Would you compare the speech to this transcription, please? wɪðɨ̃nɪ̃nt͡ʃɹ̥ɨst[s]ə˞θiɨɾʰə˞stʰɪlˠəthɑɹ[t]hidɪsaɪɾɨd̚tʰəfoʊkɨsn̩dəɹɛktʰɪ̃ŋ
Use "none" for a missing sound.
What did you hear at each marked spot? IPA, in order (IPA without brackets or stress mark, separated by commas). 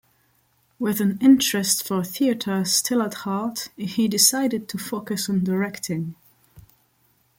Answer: f, t